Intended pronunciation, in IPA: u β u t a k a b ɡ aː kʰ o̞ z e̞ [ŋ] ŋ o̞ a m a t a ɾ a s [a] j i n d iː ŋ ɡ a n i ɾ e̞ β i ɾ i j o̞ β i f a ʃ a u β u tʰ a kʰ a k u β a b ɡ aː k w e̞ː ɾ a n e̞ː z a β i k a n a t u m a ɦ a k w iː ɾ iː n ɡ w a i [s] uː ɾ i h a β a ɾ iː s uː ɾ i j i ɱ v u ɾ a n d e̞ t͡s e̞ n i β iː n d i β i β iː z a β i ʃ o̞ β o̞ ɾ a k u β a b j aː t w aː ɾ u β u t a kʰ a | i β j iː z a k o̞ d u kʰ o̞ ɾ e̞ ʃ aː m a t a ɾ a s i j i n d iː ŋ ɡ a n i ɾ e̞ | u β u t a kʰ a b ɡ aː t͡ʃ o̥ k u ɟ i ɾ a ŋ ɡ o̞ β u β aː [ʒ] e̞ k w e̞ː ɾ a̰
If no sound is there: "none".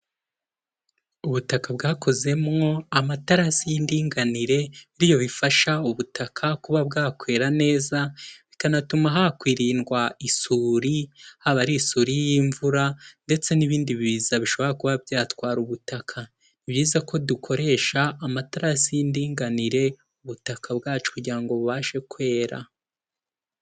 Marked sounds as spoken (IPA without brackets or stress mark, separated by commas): m, i, s, ʃ